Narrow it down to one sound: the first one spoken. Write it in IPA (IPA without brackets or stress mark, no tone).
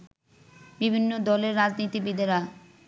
b